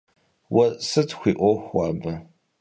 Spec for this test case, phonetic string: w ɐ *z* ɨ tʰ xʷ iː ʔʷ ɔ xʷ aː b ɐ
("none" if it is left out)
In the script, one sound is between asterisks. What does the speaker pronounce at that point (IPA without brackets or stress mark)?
s